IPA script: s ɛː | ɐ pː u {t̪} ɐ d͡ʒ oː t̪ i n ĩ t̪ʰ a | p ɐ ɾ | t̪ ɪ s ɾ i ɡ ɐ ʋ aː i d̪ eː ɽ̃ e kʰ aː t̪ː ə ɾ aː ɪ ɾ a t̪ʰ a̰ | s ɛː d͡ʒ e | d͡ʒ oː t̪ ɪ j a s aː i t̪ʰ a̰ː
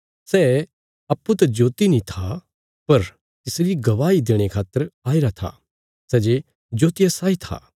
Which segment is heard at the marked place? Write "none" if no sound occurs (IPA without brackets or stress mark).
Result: t̪